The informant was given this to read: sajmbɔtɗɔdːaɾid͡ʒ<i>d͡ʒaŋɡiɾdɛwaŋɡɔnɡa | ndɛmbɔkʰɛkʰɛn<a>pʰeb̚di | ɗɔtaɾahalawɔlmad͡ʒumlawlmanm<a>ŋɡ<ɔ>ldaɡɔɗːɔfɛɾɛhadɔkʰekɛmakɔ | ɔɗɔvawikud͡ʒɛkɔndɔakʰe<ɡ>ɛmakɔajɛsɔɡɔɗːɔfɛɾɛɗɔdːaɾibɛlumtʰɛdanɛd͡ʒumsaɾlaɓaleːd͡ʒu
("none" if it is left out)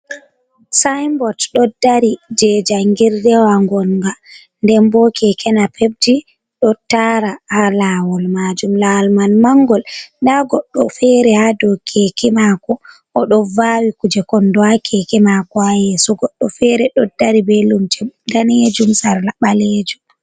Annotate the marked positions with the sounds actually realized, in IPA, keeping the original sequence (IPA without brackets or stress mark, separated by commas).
ɛ, a, a, ɔ, k